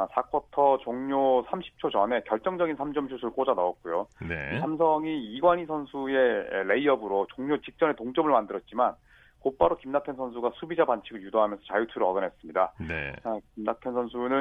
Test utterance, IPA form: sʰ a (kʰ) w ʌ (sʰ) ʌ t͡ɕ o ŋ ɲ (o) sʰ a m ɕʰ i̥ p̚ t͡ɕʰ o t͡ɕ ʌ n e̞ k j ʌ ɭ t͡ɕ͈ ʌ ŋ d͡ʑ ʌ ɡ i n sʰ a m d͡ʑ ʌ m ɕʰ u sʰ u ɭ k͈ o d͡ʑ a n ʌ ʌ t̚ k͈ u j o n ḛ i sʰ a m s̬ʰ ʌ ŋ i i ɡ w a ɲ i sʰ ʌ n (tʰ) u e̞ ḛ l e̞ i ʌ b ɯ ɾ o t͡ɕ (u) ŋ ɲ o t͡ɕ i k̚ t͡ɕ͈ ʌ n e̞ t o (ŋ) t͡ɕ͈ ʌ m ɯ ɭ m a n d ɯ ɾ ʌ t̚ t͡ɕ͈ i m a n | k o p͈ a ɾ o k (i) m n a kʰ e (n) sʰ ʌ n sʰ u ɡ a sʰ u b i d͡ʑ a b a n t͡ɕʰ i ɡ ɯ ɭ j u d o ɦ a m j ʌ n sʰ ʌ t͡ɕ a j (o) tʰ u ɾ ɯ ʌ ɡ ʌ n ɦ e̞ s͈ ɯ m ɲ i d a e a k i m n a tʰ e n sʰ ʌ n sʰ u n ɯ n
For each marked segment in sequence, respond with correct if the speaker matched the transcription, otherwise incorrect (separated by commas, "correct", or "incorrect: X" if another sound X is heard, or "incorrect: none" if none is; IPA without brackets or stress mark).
correct, incorrect: tʰ, correct, incorrect: sʰ, incorrect: o, correct, correct, correct, incorrect: u